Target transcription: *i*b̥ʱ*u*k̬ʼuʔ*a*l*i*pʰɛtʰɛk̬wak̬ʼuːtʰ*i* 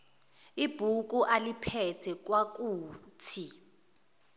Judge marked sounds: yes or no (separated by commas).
yes, yes, yes, yes, yes